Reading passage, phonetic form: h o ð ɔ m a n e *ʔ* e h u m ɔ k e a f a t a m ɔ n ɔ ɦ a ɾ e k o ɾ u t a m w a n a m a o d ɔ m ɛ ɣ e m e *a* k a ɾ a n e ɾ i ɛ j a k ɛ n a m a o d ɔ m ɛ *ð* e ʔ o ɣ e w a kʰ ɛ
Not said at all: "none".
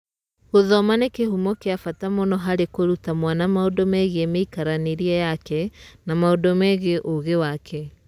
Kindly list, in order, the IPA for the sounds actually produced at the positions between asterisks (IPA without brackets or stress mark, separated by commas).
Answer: k, i, ɣ